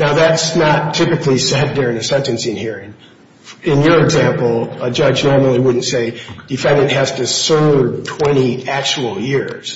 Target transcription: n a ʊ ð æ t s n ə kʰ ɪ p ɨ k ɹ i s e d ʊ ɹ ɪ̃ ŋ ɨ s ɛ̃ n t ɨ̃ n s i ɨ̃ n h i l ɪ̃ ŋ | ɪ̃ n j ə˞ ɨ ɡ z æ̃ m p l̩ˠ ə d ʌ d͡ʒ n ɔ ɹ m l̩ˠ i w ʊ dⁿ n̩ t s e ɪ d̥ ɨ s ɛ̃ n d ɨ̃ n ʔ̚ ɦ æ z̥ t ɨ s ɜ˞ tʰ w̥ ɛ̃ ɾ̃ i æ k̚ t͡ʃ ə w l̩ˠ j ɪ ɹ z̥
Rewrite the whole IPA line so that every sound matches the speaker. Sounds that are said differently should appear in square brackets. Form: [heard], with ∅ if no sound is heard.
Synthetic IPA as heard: n a ʊ ð æ t s n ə [tʰ] ɪ p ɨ k [l] i s [ɛ] d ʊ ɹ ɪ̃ ŋ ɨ s ɛ̃ n t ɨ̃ n s i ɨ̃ n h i [ɹ] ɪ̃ ŋ | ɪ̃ n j ə˞ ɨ ɡ z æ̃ m p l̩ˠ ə [d͡ʒ] ʌ d͡ʒ n ɔ ɹ m l̩ˠ i w ʊ dⁿ n̩ t s e ɪ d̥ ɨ [f] ɛ̃ n d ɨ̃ n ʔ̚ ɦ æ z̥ t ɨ s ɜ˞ tʰ w̥ ɛ̃ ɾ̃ i æ k̚ t͡ʃ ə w l̩ˠ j ɪ ɹ z̥